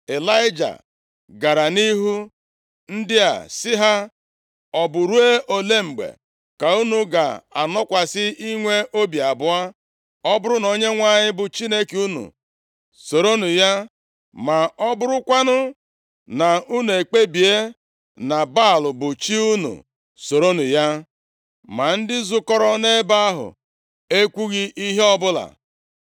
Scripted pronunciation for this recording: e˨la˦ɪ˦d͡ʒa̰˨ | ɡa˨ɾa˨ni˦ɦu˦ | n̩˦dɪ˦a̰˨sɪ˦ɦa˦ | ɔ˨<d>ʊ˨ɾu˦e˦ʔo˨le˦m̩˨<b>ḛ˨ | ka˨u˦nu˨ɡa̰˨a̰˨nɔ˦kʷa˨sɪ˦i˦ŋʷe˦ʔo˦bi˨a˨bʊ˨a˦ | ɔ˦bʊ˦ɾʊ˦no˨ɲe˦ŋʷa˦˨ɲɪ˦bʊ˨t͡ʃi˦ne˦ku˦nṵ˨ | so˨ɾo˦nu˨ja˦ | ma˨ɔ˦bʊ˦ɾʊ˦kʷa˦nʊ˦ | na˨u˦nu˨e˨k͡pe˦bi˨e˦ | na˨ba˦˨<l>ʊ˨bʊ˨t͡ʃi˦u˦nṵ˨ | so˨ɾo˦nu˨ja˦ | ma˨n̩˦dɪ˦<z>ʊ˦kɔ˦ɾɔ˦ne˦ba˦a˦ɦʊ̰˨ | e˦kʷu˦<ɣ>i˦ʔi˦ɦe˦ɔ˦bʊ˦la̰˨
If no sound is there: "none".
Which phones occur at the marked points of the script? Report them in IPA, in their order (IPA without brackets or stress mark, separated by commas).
b, ɡ͡b, l, z, ɣ